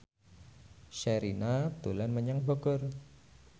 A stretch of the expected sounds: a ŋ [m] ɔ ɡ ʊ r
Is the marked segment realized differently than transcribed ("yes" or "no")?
yes